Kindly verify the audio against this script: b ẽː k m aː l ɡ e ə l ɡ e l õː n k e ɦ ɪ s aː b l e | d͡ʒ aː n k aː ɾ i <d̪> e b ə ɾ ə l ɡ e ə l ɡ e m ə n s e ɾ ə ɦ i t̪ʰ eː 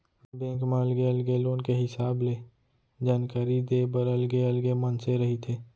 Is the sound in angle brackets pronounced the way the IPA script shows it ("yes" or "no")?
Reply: yes